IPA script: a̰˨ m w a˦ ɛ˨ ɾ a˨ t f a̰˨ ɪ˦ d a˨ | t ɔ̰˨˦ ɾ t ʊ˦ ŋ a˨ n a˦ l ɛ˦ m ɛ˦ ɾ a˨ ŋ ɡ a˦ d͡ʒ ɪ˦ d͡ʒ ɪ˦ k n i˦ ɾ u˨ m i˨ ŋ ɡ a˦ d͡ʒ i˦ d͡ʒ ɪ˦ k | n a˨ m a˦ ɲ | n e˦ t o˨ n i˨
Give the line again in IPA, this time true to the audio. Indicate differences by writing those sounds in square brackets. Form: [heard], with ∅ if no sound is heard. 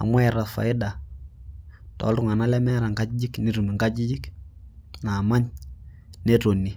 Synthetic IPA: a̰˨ m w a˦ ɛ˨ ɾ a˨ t f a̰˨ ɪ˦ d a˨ | t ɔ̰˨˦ [l] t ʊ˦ ŋ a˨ n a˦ l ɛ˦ m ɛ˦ ɾ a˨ ŋ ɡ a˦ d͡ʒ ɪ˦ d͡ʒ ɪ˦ k n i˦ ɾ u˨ m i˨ ŋ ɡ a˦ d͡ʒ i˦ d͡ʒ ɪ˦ k | n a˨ m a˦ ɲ | n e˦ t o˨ n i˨